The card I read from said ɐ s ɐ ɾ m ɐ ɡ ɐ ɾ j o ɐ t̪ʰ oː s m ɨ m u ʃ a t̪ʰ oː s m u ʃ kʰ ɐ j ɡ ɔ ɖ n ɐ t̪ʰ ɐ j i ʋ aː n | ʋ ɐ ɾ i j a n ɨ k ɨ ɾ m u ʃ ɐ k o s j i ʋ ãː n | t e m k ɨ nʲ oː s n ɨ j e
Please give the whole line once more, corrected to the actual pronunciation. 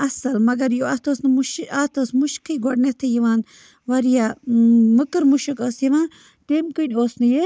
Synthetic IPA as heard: ɐ s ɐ l m ɐ ɡ ɐ ɾ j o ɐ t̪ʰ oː s n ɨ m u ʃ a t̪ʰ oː s m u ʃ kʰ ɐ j ɡ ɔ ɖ n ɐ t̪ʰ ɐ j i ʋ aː n | ʋ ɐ ɾ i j a m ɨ k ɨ ɾ m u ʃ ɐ k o s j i ʋ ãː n | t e m k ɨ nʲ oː s n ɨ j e